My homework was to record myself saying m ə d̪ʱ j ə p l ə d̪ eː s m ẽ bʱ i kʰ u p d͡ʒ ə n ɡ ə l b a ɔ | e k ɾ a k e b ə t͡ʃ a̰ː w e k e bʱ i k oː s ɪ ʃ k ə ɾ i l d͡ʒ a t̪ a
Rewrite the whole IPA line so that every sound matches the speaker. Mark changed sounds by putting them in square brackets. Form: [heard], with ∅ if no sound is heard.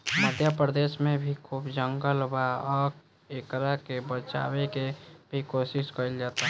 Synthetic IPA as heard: m ə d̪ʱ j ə p [ɾ] ə d̪ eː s m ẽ bʱ i kʰ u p d͡ʒ ə [ŋ] ɡ ə l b a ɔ | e k ɾ a k e b ə t͡ʃ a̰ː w e k e bʱ i k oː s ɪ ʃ k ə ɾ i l d͡ʒ a t̪ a